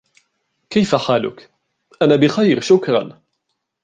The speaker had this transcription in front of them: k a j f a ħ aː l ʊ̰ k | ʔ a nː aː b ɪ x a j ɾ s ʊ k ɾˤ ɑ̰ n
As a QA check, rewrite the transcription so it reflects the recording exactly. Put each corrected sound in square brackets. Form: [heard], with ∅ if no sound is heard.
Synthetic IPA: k a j f a ħ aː l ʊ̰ k | ʔ a [n] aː b ɪ x a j ɾ [ʃ] ʊ k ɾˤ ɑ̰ n